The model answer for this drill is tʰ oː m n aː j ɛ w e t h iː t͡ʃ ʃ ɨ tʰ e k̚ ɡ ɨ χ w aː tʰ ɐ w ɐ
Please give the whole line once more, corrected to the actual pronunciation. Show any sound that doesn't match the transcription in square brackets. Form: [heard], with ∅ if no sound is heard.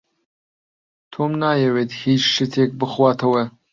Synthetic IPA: tʰ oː m n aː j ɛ w e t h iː t͡ʃ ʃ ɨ tʰ e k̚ [b] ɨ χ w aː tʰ ɐ w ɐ